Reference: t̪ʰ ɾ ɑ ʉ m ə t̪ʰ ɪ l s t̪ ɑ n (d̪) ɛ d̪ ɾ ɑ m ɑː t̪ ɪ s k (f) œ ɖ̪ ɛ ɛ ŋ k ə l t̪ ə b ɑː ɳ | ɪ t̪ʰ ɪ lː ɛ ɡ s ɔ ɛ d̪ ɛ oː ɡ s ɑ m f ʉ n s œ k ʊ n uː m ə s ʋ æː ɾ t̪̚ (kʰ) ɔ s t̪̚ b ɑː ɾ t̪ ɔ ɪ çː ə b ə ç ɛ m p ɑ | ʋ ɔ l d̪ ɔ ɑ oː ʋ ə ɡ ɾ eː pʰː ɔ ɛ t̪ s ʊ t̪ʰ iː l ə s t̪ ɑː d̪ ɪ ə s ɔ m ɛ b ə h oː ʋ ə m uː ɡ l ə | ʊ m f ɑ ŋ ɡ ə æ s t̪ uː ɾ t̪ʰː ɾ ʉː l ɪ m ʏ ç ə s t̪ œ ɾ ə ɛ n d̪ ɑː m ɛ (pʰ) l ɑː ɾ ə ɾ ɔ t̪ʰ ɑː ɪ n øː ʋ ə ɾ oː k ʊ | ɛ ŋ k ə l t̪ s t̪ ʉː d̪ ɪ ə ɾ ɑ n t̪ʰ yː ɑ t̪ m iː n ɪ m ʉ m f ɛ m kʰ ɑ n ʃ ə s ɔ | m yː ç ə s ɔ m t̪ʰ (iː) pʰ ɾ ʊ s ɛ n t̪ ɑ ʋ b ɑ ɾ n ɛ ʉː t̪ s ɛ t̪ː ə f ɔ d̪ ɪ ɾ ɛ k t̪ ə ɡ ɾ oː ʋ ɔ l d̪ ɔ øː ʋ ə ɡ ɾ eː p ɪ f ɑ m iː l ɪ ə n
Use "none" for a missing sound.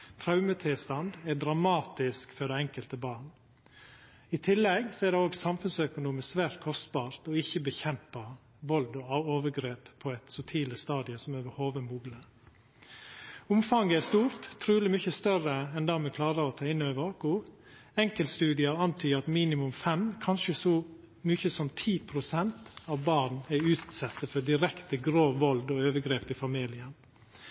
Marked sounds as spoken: d̪, f, kʰ, kʰ, iː

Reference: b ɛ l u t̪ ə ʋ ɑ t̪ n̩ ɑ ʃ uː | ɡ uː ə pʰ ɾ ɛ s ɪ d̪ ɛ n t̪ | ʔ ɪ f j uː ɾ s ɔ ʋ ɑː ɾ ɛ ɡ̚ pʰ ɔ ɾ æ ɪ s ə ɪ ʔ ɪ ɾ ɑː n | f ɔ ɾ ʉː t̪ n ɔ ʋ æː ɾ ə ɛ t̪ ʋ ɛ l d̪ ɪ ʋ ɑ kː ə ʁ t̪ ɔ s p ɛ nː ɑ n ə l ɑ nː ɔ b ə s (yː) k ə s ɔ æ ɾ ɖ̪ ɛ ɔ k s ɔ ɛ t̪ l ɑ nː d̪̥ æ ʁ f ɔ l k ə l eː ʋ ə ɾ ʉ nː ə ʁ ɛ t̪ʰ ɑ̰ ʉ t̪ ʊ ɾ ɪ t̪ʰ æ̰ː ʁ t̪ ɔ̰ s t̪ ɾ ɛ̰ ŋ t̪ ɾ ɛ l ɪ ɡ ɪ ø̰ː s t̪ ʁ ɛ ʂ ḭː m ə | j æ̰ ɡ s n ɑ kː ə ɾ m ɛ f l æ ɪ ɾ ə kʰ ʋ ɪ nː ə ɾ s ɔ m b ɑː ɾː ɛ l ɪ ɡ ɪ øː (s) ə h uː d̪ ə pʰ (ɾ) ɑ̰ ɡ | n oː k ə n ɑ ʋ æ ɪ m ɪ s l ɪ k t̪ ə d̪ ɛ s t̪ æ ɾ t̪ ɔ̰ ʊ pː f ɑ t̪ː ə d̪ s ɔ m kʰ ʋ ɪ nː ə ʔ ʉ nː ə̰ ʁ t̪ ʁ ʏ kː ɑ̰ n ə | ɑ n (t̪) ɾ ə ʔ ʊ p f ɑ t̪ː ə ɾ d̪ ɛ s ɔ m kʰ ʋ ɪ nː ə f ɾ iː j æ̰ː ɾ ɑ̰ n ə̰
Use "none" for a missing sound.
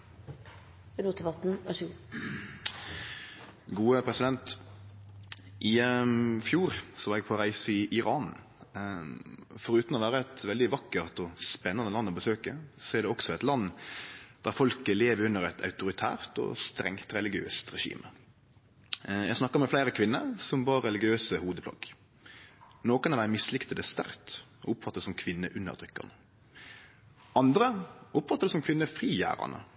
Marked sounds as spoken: øː, s, l, d̪

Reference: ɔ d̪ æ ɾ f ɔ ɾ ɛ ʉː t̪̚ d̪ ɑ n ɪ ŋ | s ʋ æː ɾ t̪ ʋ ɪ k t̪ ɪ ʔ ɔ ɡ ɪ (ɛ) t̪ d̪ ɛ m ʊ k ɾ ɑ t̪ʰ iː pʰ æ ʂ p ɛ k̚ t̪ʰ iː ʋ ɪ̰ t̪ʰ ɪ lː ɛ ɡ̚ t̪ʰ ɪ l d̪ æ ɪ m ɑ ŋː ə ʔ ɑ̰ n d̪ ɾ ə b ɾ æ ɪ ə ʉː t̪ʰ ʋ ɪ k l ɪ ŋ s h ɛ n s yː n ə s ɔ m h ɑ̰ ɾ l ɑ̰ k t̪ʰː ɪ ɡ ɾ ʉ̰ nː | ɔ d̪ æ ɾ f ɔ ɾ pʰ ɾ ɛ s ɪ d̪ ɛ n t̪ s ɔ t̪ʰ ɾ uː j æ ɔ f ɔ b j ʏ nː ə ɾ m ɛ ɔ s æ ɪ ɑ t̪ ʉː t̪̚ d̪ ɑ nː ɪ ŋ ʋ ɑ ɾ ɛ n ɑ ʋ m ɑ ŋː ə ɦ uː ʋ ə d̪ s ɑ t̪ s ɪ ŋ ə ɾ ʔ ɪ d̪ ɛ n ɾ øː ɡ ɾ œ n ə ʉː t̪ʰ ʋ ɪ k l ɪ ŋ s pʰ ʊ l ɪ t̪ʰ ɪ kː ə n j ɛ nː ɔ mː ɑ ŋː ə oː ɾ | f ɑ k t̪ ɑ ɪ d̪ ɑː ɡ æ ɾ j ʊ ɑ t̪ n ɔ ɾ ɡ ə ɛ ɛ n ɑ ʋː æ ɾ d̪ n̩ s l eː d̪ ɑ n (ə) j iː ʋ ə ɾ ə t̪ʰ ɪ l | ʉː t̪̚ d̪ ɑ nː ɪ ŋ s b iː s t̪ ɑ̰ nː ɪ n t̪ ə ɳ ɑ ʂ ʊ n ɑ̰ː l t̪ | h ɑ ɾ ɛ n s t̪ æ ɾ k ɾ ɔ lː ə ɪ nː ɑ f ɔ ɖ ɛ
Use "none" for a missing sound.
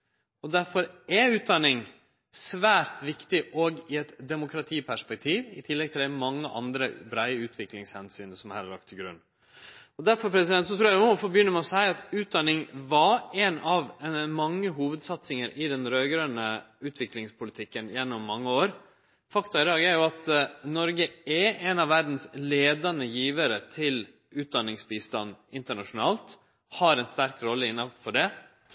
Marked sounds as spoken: ɛ, ə

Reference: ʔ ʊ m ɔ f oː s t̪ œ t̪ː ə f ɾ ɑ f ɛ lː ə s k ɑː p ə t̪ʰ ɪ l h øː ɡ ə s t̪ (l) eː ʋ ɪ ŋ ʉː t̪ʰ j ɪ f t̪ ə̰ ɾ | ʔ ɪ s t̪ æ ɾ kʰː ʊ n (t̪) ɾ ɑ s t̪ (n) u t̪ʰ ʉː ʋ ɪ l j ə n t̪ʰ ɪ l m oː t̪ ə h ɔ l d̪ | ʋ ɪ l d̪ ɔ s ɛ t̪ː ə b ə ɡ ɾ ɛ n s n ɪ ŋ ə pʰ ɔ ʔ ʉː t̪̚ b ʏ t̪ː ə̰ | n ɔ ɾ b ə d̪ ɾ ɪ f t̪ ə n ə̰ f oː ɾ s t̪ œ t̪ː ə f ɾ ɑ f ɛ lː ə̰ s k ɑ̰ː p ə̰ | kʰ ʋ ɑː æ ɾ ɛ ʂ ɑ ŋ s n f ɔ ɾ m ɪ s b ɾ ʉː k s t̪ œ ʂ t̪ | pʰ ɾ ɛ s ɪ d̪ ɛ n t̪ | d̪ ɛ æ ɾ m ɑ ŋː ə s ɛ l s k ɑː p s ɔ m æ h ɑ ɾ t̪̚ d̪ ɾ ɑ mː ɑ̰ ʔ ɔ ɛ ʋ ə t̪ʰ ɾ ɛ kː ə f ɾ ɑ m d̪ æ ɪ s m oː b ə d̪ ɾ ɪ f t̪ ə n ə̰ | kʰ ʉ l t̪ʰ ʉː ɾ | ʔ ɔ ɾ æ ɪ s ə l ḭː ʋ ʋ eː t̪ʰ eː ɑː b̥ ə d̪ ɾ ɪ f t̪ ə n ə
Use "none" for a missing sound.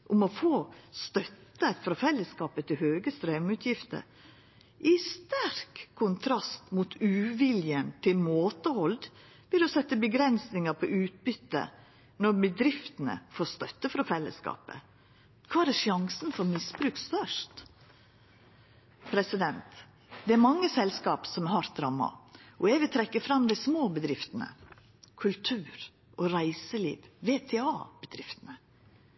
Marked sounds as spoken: ɾ, t̪ʰ, m

